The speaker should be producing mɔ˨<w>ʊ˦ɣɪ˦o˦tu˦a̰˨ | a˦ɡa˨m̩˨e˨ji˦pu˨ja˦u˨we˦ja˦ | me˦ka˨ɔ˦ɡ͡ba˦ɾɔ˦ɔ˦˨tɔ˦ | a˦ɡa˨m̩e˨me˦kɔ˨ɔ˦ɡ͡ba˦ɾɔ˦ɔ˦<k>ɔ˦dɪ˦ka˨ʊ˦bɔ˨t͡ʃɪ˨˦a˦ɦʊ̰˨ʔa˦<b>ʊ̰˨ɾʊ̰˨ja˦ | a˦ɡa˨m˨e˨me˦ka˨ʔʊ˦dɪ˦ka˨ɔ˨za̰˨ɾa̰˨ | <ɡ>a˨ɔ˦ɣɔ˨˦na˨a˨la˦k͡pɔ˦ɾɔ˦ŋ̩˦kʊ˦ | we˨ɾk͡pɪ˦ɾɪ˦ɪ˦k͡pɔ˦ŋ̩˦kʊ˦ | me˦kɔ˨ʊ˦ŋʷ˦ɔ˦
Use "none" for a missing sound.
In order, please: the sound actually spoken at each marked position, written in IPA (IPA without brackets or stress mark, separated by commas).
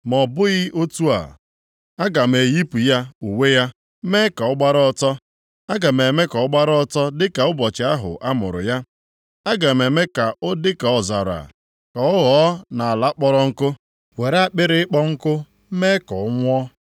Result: b, t, m, k